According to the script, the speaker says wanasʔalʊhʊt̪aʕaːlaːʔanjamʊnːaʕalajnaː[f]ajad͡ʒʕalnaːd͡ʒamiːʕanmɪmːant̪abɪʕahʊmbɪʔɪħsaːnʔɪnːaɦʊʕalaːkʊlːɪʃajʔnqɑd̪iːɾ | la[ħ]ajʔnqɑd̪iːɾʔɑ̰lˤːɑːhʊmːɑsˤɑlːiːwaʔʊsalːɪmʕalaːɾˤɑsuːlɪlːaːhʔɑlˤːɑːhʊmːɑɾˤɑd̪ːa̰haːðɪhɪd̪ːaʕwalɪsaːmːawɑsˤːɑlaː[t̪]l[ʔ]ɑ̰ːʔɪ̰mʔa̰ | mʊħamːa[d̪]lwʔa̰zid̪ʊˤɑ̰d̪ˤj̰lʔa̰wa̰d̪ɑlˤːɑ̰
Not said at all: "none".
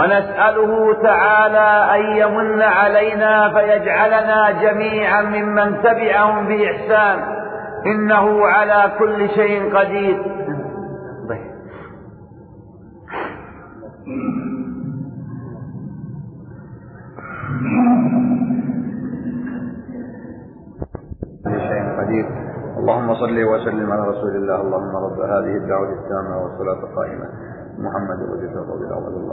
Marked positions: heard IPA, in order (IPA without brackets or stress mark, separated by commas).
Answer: f, ʃ, t̪, q, d̪